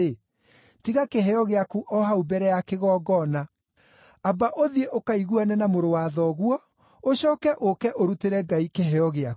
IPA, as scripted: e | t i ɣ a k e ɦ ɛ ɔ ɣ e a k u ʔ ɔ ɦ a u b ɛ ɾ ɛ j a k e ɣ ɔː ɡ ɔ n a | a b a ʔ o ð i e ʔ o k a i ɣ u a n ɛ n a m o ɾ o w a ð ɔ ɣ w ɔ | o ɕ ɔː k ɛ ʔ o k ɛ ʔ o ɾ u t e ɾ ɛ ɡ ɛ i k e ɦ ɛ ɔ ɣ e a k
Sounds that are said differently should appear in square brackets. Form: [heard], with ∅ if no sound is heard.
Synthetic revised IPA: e | t i ɣ a k e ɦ ɛ ɔ ɣ e a k u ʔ ɔ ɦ a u b ɛ ɾ ɛ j a k e ɣ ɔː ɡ ɔ n a | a b a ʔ o ð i e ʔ o k a i ɣ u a n ɛ n a m o ɾ o w a ð ɔ ɣ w ɔ | o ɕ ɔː k ɛ ʔ o k ɛ ʔ o ɾ u t e ɾ ɛ ɡ [a] i k e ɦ ɛ ɔ ɣ e a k